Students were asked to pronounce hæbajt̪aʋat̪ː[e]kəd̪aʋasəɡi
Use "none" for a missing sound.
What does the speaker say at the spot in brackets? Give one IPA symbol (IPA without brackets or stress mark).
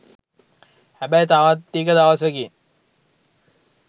i